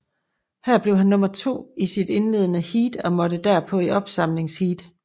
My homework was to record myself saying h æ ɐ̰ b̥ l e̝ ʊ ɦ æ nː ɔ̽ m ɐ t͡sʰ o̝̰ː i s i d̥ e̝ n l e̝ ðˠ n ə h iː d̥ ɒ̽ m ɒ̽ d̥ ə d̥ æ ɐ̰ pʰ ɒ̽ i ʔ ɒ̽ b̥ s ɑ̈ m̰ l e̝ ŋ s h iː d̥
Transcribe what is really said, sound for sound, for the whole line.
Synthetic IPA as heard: h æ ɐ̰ b̥ l e̝ ʊ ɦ æ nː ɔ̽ m ɐ t͡sʰ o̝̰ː i s i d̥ e̝ n l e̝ ðˠ n ə h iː d̥ ɒ̽ m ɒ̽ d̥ ə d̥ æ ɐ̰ pʰ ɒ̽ i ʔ ɒ̽ b̥ s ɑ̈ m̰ l e̝ ŋ s h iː d̥